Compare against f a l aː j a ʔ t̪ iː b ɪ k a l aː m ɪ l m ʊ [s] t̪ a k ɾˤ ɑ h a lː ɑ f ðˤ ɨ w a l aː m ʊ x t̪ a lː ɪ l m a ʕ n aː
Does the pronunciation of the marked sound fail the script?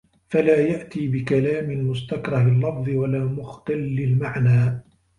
no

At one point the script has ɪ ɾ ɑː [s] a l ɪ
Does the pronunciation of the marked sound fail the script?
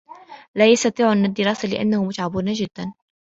no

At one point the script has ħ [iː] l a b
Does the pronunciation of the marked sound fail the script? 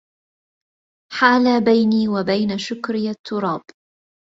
yes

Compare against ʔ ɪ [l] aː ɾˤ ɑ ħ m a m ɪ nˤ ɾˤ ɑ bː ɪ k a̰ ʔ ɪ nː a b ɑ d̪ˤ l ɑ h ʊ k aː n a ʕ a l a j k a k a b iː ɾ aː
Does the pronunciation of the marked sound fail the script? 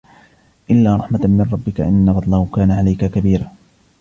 yes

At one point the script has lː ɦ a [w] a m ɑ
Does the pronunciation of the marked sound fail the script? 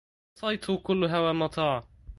no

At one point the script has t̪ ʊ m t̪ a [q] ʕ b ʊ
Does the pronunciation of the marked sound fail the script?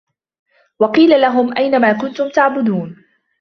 yes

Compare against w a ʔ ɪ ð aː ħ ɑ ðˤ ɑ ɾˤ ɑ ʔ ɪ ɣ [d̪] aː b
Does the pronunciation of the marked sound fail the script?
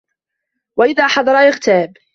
yes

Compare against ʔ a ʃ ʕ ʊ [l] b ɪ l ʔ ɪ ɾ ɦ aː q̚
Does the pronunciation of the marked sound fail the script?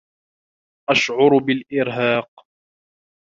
yes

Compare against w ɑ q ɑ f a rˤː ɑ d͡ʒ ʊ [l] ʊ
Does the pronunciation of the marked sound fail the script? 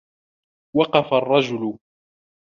no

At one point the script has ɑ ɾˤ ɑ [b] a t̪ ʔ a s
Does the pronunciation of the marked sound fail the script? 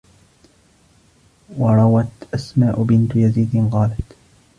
yes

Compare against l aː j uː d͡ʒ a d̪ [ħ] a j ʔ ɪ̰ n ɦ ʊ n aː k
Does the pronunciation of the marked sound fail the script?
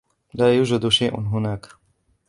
yes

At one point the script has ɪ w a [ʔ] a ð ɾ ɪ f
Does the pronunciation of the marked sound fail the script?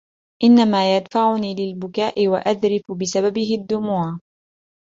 no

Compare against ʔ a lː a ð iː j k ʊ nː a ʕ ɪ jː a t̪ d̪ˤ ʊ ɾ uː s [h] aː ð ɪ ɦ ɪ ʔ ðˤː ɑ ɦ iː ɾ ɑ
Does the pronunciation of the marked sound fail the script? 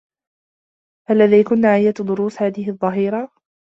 no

